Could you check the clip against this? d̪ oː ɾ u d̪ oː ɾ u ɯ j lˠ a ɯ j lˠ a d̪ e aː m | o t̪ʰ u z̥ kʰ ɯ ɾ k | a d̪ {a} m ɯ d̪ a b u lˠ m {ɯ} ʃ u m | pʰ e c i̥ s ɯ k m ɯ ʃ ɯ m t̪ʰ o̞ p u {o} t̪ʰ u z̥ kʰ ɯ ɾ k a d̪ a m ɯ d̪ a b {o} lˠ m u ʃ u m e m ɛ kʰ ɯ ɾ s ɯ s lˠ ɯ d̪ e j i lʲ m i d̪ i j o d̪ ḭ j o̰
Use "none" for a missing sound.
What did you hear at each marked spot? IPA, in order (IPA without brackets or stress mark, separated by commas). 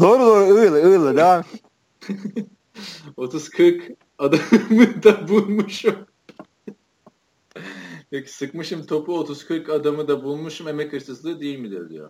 a, u, o, u